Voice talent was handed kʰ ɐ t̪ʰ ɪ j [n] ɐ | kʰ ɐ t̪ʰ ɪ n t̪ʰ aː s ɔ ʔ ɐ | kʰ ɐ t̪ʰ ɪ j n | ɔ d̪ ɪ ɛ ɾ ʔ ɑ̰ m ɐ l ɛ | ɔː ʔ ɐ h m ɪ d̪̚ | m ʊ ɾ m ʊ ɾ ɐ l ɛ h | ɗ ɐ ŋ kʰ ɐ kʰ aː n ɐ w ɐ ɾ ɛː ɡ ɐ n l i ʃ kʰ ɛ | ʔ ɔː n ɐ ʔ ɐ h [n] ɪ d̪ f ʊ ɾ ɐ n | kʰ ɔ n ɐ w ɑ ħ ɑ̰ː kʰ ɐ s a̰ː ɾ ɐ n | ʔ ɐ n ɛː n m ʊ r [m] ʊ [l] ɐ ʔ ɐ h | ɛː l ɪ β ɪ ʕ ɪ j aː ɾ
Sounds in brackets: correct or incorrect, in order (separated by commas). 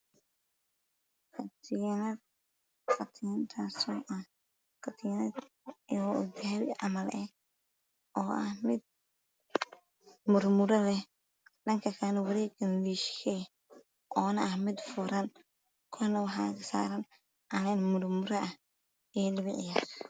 correct, incorrect, correct, incorrect